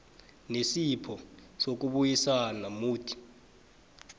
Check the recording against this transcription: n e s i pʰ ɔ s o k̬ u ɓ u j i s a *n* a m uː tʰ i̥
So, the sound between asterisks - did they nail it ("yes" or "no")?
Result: yes